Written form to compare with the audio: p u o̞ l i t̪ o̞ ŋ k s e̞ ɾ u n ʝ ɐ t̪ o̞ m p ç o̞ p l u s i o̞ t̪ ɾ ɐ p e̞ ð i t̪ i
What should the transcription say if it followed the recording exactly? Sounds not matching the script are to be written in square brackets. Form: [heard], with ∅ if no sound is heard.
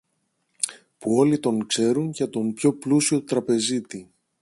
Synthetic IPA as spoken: p u o̞ l i t̪ o̞ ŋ k s e̞ ɾ u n ʝ ɐ t̪ o̞ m p ç o̞ p l u s i o̞ t̪ ɾ ɐ p e̞ [z] i t̪ i